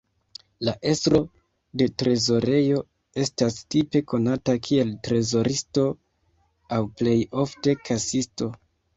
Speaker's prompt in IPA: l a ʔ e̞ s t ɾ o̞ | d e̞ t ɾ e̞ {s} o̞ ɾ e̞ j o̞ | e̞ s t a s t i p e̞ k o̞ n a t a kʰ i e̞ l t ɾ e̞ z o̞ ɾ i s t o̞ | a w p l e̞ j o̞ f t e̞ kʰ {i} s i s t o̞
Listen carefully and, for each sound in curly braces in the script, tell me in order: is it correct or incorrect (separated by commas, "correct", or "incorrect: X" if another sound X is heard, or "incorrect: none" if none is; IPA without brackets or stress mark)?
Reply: incorrect: z, incorrect: a